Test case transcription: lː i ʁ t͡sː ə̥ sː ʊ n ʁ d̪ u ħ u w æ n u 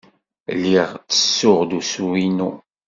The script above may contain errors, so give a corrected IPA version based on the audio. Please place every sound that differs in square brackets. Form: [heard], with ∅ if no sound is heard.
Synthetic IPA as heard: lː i ʁ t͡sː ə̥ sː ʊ [∅] ʁ d̪ u [s] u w [i] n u